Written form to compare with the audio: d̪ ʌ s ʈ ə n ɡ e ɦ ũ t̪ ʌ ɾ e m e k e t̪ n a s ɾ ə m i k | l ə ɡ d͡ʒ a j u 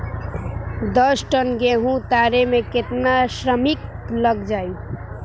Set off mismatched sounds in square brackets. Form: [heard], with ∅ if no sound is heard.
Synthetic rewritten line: d̪ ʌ s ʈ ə n ɡ e ɦ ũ t̪ [a] ɾ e m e k e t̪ n a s ɾ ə m i k | l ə ɡ d͡ʒ a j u